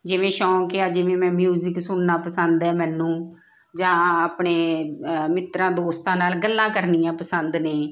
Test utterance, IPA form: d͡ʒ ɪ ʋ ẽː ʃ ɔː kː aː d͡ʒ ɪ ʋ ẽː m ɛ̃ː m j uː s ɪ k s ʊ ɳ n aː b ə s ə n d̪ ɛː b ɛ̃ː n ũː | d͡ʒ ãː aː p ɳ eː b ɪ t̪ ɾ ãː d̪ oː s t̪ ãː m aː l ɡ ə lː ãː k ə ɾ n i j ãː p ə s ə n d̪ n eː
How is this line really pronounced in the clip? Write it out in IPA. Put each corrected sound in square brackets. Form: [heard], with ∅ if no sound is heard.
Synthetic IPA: d͡ʒ ɪ ʋ ẽː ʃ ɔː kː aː d͡ʒ ɪ ʋ ẽː m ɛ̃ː m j uː [z] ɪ k s ʊ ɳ n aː [p] ə s ə n d̪ ɛː [m] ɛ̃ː n ũː | d͡ʒ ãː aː p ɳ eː [m] ɪ t̪ ɾ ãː d̪ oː s t̪ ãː [n] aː l ɡ ə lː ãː k ə ɾ n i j ãː p ə s ə n d̪ n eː